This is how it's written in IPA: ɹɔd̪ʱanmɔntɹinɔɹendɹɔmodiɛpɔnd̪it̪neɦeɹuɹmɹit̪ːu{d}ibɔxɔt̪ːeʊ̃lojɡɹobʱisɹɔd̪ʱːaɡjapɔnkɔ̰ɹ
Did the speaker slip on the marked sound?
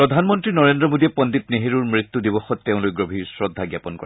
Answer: no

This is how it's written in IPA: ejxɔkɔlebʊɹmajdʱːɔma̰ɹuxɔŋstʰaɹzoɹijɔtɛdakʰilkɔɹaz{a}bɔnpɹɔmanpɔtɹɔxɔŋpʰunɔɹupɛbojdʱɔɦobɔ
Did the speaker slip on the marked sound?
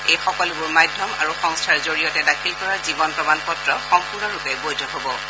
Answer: yes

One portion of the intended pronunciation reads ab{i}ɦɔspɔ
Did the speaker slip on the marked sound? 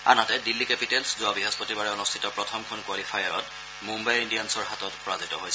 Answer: no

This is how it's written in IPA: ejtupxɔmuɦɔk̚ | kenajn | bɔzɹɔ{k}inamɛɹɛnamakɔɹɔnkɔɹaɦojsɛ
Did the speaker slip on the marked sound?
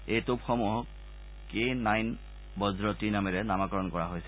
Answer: yes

